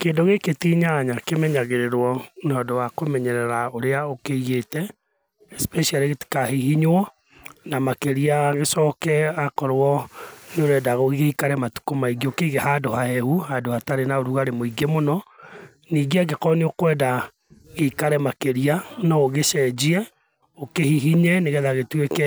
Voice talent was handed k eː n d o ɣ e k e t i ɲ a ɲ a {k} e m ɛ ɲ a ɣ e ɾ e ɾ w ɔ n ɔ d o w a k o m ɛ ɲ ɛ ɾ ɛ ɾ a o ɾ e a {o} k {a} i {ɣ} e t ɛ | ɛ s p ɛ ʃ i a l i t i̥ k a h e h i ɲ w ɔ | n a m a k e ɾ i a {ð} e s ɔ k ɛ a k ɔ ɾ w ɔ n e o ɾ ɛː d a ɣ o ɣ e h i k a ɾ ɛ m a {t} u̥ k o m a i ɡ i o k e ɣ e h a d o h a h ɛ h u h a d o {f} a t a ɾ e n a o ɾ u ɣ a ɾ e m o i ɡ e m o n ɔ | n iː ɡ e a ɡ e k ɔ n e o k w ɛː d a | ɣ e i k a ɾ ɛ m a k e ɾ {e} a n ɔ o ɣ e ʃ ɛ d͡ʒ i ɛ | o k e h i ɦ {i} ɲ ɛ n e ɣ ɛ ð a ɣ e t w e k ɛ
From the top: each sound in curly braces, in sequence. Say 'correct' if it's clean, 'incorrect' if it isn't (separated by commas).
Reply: correct, correct, incorrect, correct, incorrect, correct, incorrect, incorrect, correct